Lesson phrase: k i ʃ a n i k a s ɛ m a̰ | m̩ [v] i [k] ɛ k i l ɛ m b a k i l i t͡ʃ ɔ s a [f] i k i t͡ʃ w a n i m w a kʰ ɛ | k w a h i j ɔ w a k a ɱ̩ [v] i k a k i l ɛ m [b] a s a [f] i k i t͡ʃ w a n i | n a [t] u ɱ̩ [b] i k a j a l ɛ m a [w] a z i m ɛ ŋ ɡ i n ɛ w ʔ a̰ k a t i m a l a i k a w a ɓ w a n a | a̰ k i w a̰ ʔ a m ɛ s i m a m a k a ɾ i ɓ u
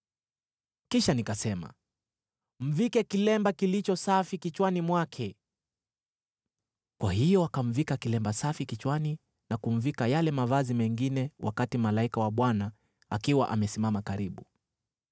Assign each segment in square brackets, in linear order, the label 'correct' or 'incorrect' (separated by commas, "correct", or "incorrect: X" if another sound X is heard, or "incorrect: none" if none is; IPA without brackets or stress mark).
correct, correct, correct, correct, correct, correct, incorrect: k, incorrect: v, incorrect: v